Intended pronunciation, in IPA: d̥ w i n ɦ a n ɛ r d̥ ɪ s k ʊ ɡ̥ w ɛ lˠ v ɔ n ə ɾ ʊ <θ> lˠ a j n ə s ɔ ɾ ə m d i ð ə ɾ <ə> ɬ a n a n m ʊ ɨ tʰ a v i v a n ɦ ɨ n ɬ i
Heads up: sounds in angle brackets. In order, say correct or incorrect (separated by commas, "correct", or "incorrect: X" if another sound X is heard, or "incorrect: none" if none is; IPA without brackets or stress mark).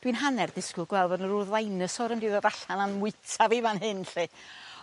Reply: incorrect: ð, incorrect: a